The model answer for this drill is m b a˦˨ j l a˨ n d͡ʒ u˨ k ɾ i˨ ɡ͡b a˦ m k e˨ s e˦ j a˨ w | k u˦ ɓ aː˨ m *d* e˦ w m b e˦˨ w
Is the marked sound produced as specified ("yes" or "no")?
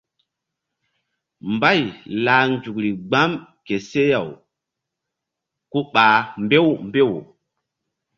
no